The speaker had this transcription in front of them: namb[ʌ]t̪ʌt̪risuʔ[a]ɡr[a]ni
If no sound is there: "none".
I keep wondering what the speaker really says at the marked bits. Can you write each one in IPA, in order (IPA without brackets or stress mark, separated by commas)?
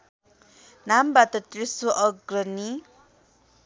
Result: a, ʌ, ʌ